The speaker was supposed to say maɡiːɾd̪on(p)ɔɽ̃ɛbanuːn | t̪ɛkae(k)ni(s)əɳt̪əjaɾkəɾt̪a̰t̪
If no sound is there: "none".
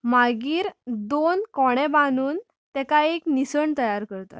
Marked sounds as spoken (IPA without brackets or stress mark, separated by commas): k, k, s